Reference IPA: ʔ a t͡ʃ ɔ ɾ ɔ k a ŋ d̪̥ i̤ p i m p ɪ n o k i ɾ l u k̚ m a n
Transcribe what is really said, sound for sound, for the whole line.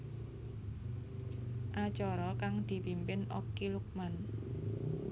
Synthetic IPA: ʔ a t͡ʃ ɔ ɾ ɔ k a ŋ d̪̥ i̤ p i m p ɪ n o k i l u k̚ m a n